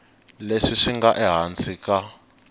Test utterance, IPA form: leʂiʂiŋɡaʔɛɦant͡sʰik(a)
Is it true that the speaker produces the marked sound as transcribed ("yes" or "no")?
yes